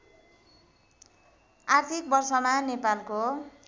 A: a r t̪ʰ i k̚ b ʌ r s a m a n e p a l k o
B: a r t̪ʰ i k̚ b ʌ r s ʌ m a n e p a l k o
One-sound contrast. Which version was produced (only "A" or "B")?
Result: B